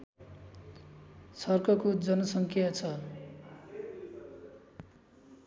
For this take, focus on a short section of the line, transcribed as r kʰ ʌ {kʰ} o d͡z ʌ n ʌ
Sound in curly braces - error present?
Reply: yes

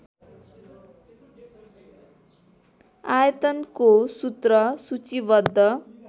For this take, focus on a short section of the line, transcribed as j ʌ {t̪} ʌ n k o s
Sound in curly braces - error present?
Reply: no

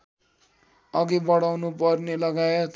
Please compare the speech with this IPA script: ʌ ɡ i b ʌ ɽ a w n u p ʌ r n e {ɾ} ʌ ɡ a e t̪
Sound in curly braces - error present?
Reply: yes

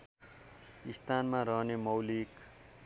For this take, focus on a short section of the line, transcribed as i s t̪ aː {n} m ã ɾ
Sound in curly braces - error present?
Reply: no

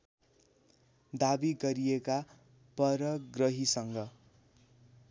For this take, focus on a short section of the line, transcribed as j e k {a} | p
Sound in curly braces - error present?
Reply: no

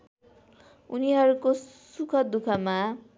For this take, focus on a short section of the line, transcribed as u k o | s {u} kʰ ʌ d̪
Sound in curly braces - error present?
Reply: no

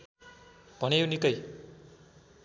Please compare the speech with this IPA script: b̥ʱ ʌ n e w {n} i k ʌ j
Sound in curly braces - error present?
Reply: no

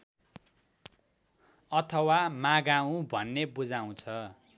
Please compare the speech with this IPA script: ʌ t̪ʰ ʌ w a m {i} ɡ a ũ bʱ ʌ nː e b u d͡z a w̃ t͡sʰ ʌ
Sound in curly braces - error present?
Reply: yes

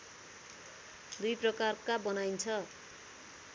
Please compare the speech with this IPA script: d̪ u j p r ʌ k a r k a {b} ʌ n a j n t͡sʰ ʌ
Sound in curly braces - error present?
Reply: no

